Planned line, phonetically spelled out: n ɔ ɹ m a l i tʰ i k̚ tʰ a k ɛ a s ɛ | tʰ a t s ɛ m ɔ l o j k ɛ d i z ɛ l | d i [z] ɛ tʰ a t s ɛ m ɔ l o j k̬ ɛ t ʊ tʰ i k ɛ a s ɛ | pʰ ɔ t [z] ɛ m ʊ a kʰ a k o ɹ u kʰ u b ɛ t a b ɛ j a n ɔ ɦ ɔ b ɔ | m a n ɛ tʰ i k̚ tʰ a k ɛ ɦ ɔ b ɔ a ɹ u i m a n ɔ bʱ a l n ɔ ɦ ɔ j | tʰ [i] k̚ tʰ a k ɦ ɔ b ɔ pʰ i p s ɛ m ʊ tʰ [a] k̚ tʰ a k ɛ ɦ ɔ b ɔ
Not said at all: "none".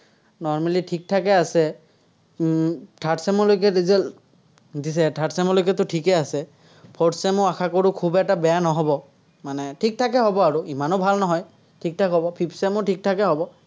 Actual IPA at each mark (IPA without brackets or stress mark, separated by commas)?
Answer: s, s, i, i